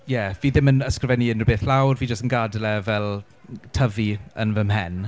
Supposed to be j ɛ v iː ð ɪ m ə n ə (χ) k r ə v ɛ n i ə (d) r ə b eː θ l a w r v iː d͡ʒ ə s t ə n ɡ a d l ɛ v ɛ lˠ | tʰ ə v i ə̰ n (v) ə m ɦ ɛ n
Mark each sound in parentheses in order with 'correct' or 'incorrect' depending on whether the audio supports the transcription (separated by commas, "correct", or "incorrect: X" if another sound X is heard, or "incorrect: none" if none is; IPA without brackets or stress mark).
incorrect: s, incorrect: n, correct